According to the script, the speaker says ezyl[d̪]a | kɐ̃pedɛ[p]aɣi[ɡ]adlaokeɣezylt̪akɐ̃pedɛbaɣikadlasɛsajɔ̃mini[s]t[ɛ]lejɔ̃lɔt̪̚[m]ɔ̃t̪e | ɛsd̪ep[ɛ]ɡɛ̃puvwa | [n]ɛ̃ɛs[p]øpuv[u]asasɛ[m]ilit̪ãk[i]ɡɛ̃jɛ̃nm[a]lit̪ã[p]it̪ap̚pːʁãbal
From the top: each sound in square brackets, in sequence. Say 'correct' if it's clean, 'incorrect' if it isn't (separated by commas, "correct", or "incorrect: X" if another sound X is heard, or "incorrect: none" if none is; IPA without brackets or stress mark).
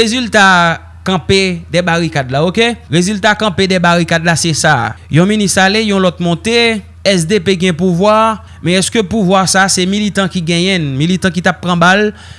incorrect: t̪, incorrect: b, incorrect: k, correct, incorrect: a, correct, incorrect: e, incorrect: m, incorrect: k, incorrect: w, correct, correct, incorrect: i, incorrect: k